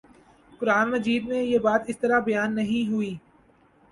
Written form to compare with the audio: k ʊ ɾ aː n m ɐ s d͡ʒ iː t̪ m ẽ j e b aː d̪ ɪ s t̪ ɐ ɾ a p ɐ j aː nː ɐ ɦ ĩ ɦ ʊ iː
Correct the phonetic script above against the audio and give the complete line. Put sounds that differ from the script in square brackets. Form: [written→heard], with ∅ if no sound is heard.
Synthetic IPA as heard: k ʊ ɾ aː n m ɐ [s→∅] d͡ʒ iː [t̪→d̪] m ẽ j e b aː [d̪→t̪] ɪ s t̪ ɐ ɾ a [p→b] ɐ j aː nː ɐ ɦ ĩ ɦ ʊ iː